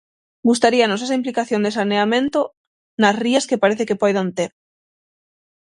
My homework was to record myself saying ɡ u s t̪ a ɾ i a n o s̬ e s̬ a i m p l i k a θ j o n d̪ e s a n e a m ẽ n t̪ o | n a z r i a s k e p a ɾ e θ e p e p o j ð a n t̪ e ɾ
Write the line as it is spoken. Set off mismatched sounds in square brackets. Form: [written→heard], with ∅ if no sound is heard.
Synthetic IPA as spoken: ɡ u s t̪ a ɾ i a n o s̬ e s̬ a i m p l i k a θ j o n d̪ e s a n e a m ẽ n t̪ o | n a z r i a s k e p a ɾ e θ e [p→k] e p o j ð a n t̪ e ɾ